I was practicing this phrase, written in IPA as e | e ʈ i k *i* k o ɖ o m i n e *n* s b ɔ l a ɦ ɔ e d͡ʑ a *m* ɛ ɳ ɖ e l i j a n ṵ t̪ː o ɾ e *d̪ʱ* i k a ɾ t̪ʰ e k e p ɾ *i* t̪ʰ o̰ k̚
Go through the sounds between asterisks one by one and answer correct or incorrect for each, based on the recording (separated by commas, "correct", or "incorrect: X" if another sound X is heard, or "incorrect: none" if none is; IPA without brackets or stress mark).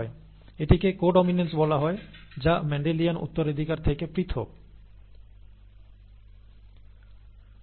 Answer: incorrect: e, correct, correct, correct, correct